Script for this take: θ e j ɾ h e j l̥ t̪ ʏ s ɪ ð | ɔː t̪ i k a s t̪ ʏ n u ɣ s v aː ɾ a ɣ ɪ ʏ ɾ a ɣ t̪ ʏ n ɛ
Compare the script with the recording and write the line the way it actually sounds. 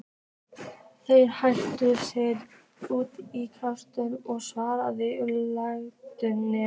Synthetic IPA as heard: θ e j ɾ h a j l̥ t̪ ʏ s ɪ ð | uː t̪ i kʰ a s t̪ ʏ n ɔ ɣ s v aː ɾ a ð ɪ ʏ l a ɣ t̪ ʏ n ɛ